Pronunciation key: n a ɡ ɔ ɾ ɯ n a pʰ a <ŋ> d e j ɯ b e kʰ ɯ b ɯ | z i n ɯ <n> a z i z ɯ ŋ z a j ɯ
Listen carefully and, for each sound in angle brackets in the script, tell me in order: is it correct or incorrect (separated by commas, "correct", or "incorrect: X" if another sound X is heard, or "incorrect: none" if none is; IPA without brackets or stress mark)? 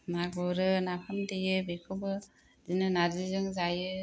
incorrect: m, correct